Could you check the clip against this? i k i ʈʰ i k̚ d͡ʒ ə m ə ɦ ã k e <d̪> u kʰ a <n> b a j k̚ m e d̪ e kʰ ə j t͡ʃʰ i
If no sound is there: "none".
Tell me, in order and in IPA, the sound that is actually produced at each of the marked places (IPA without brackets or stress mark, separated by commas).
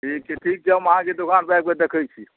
d̪, n